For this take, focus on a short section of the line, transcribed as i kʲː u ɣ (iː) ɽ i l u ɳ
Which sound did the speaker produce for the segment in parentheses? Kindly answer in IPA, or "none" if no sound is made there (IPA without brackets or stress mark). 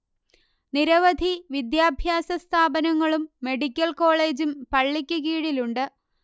iː